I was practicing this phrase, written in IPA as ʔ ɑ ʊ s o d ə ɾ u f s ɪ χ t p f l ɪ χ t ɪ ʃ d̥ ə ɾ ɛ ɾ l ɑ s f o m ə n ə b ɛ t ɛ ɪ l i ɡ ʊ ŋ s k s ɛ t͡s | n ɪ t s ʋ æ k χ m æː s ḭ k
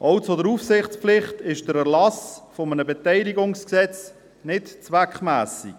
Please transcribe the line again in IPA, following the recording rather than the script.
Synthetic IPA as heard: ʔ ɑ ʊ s o d ə ɾ u f s ɪ χ t͡s p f l ɪ χ t ɪ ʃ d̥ ə ɾ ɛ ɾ l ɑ s f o m ə n ə b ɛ t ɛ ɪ l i ɡ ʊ ŋ s k s ɛ t͡s | n ɪ t t͡s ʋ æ k χ m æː s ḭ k